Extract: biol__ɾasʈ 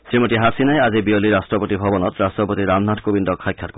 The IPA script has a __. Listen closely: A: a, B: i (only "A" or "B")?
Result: B